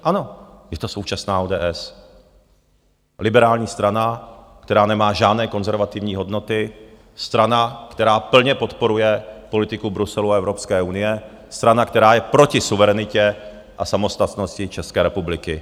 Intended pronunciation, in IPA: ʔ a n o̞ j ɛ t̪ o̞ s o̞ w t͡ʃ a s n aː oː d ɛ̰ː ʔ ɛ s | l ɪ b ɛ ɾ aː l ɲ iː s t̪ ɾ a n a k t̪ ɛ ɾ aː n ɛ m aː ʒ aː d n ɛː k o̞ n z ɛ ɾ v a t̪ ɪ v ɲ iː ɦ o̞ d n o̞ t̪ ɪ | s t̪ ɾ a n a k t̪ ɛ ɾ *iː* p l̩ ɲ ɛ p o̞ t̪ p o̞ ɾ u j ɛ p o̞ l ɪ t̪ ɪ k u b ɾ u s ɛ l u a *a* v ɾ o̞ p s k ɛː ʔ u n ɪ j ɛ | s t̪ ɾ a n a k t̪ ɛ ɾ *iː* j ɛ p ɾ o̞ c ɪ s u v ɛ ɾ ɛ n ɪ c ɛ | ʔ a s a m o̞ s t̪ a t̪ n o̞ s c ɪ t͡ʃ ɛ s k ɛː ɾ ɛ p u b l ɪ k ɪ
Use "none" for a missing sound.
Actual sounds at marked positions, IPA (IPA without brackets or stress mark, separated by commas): aː, ɛ, aː